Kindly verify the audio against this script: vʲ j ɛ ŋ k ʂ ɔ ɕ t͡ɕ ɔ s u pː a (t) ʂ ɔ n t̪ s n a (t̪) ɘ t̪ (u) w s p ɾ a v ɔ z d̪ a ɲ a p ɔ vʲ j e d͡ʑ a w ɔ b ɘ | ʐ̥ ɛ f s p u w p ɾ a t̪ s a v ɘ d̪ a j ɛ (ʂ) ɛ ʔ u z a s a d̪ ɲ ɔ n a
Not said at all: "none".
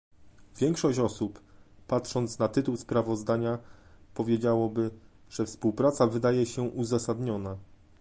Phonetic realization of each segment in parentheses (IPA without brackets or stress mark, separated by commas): t, t̪, u, ɕ